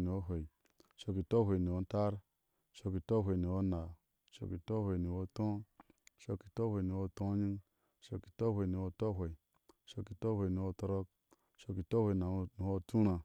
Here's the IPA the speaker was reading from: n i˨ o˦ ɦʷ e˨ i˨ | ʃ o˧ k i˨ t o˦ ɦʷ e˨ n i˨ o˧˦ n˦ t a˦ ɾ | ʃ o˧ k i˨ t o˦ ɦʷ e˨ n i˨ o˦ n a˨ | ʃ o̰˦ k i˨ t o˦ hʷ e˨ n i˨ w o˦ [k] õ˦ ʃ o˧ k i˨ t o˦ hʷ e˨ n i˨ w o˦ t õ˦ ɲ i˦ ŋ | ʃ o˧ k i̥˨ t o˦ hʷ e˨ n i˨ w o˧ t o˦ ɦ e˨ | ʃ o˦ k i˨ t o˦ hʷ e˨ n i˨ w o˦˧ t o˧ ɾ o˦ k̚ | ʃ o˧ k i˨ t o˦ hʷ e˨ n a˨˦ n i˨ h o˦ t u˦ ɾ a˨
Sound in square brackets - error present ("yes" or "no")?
yes